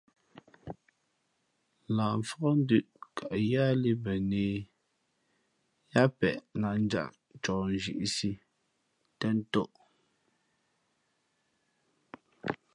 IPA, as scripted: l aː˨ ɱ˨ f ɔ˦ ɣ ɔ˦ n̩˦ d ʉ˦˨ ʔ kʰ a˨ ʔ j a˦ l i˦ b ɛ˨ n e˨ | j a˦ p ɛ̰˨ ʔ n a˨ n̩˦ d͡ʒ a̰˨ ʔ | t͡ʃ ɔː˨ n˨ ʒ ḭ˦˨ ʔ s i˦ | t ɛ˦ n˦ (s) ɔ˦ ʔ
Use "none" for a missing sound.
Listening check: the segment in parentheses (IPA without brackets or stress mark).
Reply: t